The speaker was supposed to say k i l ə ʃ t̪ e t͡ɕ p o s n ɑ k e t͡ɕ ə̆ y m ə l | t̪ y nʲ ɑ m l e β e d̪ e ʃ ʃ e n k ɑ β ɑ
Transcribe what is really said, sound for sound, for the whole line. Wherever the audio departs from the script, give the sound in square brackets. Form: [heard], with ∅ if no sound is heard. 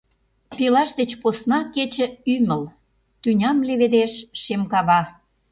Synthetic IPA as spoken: [p] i l [ɑ] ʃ [d̪] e t͡ɕ p o s n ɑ k e t͡ɕ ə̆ y m ə l | t̪ y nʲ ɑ m l e β e d̪ e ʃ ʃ e [m] k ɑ β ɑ